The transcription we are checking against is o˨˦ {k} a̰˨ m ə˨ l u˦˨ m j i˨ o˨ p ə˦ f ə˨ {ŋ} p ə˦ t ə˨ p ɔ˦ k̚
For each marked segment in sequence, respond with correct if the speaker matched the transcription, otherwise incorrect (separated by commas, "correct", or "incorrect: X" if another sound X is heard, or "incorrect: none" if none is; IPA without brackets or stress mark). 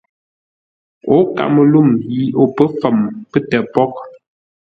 correct, incorrect: m